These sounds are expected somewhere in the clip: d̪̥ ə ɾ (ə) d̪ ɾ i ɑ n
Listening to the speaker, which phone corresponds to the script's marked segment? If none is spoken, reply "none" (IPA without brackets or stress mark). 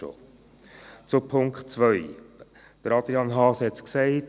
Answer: ɑ